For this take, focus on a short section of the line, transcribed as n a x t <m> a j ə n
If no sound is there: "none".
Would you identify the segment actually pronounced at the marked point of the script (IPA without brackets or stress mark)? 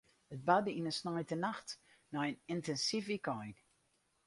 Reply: n